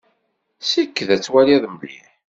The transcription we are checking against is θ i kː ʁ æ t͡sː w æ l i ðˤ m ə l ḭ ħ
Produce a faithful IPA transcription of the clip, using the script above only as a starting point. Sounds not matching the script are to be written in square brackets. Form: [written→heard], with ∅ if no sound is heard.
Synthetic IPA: [θ→s] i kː [ʁ→ð] æ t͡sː w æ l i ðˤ m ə l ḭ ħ

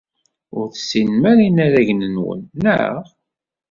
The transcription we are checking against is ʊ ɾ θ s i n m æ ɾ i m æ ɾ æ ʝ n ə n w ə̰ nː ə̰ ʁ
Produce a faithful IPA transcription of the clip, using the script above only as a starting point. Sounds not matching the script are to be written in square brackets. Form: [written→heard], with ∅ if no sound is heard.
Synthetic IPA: ʊ ɾ θ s i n m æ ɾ i [m→n] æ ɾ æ ʝ n ə n w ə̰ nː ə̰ ʁ

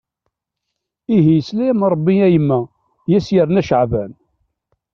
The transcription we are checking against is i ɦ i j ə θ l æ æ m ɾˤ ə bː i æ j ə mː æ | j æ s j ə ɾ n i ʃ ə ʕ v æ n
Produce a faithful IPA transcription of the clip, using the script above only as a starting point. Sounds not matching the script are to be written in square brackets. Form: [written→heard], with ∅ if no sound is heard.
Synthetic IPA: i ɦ i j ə [θ→s] l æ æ m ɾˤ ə bː i æ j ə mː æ | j æ s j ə ɾ n [i→æ] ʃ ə ʕ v æ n

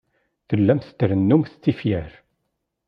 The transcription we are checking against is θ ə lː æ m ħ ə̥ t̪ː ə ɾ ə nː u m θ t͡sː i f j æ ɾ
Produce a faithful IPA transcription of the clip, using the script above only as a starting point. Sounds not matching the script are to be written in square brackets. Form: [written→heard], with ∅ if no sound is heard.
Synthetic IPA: θ ə lː æ m [ħ→θ] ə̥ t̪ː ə ɾ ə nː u m θ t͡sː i f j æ ɾ

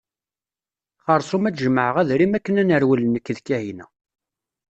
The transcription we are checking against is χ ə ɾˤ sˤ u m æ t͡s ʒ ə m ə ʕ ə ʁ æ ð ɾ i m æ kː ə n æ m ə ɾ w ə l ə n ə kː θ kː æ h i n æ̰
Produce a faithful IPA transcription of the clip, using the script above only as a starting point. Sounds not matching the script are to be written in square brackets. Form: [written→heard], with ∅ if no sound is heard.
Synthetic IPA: χ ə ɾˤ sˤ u m æ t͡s ʒ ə m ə ʕ ə ʁ æ ð ɾ i m æ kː ə n æ [m→n] ə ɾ w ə l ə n ə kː [θ→ð] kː æ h i n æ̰

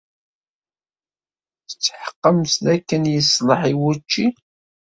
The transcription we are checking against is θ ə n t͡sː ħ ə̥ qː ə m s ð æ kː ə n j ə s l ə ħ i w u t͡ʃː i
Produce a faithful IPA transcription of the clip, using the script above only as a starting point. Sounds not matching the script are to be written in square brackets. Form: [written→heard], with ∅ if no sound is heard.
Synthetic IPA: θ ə [n→∅] t͡sː ħ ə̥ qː ə m s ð æ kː ə n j ə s l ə ħ i w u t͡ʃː i

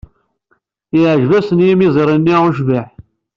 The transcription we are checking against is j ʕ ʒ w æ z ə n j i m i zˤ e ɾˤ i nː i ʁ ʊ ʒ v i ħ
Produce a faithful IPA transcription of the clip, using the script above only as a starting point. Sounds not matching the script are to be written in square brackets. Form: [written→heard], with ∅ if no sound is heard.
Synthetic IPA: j ʕ ʒ [w→v] æ [z→s] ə n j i m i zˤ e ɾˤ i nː i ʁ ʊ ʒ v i ħ

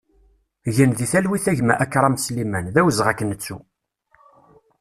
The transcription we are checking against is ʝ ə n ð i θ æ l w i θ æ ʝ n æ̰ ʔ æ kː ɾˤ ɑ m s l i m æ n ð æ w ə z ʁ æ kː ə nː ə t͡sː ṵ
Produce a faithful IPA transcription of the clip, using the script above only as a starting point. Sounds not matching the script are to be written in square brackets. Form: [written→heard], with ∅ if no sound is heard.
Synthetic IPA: ʝ ə n ð i θ æ l w i θ æ ʝ [n→m] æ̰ ʔ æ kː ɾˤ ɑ m s l i m æ n ð æ w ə z ʁ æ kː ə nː ə t͡sː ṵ

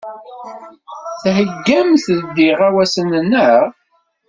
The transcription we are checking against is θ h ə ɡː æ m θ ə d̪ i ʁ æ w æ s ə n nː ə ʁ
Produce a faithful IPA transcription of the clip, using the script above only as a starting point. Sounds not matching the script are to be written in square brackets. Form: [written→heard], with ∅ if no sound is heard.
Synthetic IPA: θ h ə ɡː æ m θ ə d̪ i ʁ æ w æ s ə n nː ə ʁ

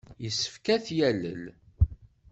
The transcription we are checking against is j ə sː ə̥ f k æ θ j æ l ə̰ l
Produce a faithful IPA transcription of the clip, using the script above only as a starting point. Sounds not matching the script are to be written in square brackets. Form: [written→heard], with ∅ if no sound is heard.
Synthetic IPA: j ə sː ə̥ f k æ θ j æ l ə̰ l

